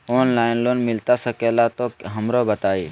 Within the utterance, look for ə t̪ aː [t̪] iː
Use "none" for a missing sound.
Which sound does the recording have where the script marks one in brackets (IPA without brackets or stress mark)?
none